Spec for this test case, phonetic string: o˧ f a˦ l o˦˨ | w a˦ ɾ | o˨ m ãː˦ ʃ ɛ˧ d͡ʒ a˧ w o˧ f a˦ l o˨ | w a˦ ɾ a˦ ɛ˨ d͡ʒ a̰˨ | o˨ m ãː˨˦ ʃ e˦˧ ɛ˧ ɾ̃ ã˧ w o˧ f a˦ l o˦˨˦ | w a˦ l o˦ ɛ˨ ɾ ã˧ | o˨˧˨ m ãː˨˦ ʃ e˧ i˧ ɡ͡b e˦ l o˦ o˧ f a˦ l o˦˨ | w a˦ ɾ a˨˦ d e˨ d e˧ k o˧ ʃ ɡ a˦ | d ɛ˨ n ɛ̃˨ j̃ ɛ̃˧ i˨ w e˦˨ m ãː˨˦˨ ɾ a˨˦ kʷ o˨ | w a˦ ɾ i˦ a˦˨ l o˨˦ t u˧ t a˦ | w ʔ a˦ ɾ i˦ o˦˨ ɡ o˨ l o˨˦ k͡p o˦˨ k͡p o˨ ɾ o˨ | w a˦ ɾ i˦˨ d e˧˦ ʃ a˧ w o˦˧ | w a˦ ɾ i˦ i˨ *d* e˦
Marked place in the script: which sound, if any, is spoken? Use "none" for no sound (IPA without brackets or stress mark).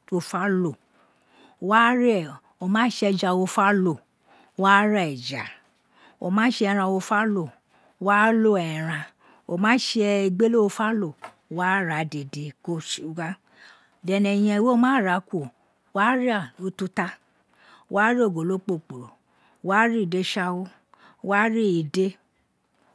d